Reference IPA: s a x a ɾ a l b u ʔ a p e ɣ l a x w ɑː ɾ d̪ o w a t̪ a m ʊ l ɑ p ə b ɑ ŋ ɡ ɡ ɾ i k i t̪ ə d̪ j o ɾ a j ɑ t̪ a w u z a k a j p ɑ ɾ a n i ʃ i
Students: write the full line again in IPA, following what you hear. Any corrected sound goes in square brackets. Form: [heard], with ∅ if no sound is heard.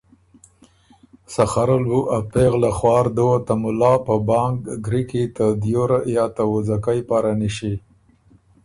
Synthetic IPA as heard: s a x a ɾ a l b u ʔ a p e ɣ l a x w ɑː ɾ d̪ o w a t̪ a m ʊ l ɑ p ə b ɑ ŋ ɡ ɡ ɾ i k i t̪ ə d̪ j o ɾ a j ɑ t̪ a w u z a k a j p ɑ ɾ a n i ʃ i